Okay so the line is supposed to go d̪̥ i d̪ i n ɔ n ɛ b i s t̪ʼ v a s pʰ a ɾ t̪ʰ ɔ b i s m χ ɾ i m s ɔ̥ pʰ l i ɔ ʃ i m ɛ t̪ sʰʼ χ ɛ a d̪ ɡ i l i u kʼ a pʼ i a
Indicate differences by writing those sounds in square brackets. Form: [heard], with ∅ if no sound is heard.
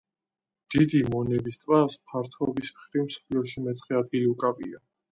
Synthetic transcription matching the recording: d̪̥ i d̪ i [m] ɔ n ɛ b i s t̪ʼ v a s pʰ a ɾ t̪ʰ ɔ b i s m χ ɾ i m s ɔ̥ pʰ l i ɔ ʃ i m ɛ t̪ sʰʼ χ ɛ a d̪ ɡ i l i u kʼ a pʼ i a